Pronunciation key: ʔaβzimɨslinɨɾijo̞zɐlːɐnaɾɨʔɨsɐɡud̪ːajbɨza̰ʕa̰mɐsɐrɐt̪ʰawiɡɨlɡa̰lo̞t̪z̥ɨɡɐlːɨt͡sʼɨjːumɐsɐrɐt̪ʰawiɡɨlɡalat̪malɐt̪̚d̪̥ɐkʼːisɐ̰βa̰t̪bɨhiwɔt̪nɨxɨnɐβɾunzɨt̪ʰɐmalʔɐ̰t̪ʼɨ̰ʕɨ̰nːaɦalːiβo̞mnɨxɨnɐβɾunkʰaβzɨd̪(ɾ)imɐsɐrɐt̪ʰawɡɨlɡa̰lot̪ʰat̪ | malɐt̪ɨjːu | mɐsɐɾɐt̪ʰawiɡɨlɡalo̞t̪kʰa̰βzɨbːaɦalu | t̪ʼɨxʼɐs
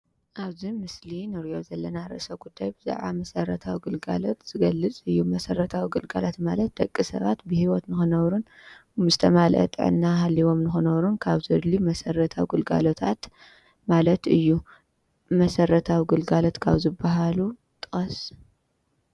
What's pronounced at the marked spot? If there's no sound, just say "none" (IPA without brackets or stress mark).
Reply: l